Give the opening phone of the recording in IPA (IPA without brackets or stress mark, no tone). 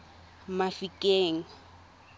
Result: m